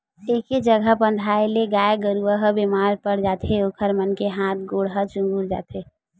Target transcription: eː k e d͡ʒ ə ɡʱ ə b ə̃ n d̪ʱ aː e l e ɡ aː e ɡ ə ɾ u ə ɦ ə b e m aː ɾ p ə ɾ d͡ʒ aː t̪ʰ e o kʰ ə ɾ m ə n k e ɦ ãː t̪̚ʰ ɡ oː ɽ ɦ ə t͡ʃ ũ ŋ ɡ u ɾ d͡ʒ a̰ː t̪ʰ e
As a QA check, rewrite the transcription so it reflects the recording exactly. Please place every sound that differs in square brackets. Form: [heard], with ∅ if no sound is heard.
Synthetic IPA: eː k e d͡ʒ ə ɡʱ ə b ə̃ n d̪ʱ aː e l e ɡ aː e ɡ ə ɾ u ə ɦ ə b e m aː ɾ p ə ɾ d͡ʒ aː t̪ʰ e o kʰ ə ɾ m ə n k e ɦ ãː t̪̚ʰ ɡ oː ɽ ɦ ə t͡ʃ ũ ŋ ɡ u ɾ d͡ʒ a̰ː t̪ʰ e